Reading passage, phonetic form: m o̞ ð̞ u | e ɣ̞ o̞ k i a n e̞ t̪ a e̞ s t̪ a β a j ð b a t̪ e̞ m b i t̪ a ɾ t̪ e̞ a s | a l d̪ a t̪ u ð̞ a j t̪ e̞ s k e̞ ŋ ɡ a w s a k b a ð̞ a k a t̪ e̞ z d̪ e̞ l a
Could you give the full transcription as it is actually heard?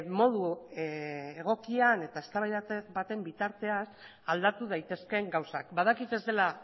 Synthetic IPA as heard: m o̞ ð̞ u | e ɣ̞ o̞ k i a n e̞ t̪ a e̞ s t̪ a β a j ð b a t̪ e̞ m b i t̪ a ɾ t̪ e̞ a s | a l d̪ a t̪ u ð̞ a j t̪ e̞ s k e̞ ŋ ɡ a w s a k b a ð̞ a k i t̪ e̞ z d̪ e̞ l a